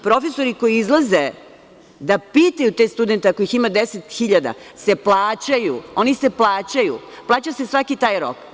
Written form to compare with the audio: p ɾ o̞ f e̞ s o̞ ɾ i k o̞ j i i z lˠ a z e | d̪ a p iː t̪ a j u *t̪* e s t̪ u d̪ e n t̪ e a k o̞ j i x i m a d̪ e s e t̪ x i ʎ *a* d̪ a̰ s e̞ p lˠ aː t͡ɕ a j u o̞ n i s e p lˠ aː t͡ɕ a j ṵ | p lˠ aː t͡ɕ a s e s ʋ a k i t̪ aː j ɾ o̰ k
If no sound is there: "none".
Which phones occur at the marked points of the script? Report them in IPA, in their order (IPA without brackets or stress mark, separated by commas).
t̪, a